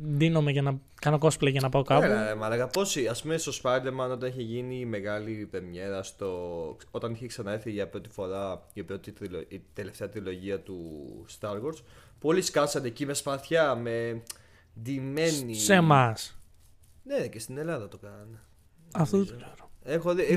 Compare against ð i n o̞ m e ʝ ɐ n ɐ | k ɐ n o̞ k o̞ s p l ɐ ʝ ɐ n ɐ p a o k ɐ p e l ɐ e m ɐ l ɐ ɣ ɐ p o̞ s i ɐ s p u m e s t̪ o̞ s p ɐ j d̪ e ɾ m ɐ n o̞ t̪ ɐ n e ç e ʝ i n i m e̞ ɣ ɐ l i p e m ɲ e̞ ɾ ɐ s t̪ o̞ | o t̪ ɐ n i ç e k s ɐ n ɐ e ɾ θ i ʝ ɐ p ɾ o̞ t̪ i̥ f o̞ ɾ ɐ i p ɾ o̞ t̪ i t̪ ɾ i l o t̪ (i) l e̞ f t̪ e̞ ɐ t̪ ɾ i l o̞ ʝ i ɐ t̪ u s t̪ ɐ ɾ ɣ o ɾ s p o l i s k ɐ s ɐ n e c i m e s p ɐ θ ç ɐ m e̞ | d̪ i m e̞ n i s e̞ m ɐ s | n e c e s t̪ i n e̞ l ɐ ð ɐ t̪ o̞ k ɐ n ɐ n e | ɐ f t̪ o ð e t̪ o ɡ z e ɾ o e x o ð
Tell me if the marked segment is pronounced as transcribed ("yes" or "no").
no